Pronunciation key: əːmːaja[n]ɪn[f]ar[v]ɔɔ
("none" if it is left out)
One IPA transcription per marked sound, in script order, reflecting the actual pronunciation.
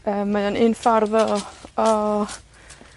n, f, ð

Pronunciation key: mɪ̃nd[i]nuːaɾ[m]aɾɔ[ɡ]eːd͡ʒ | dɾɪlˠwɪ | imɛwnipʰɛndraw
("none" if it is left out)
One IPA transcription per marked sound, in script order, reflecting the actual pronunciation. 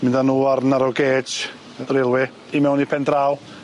a, n, ɡ

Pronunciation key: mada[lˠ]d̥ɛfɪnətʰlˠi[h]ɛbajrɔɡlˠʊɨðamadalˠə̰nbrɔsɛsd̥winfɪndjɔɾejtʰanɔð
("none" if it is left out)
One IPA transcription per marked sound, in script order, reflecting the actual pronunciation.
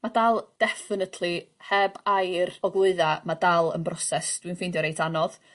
lˠ, h

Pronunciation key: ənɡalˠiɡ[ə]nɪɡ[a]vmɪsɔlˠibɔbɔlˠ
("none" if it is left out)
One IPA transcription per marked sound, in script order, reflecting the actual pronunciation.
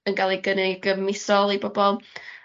ə, ə

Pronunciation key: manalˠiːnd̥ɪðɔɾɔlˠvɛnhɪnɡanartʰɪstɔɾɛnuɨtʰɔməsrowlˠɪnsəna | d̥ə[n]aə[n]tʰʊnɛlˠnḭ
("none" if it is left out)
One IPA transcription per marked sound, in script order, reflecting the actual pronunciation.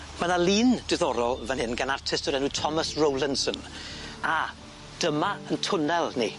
m, n

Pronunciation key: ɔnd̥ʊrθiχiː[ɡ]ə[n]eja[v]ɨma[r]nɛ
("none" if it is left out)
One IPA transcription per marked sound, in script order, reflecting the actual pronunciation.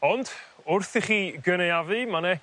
ɡ, n, v, none

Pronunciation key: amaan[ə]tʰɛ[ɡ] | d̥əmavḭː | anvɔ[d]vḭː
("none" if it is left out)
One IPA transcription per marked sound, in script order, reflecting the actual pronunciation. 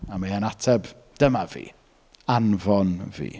a, b, n

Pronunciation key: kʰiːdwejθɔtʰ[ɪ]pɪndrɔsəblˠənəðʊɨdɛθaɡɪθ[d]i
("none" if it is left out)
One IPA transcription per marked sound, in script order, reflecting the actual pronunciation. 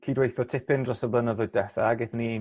ɪ, n

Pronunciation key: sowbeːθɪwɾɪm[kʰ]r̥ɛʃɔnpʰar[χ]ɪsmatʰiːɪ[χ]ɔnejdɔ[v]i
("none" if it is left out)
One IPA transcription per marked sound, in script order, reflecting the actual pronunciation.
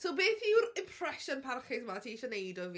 pʰ, χ, ʃ, v

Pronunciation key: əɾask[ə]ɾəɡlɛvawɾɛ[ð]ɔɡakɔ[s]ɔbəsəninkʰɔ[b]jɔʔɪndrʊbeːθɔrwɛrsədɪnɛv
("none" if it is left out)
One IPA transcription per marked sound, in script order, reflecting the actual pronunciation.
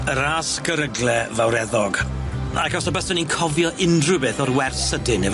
ə, ð, s, v

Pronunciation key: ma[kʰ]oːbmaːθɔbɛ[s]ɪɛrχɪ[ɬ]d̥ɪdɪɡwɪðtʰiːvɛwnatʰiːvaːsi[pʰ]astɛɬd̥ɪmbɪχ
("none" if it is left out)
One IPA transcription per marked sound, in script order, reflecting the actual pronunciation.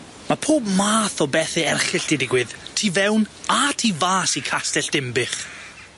pʰ, θ, ɬ, kʰ

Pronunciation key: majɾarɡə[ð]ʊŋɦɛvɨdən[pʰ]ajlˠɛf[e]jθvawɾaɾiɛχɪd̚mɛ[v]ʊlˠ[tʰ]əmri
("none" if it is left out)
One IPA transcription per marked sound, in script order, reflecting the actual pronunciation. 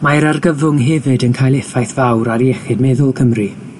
v, kʰ, a, ð, kʰ

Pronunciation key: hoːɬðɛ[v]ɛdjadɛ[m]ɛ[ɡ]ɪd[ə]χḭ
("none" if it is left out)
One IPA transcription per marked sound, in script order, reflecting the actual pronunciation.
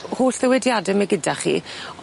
w, m, ɡ, a

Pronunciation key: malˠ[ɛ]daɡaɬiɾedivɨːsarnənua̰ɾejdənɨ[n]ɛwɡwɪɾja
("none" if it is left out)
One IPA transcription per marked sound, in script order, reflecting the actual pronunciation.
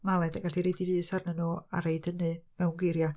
ɛ, m

